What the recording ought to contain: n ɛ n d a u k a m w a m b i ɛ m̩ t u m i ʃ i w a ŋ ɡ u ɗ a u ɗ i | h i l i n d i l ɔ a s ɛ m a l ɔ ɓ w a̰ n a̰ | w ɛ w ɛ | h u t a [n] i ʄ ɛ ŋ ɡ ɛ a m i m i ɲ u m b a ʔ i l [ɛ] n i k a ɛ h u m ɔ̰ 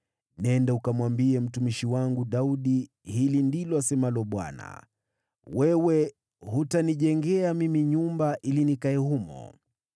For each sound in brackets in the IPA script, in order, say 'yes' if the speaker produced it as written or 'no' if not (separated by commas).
yes, no